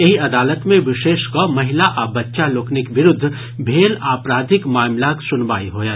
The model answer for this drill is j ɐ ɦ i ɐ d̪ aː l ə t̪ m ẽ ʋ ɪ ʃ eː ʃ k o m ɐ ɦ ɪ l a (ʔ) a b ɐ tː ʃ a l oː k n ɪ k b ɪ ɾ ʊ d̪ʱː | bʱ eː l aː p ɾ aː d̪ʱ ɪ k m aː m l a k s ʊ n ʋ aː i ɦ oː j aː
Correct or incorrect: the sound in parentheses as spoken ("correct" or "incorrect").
correct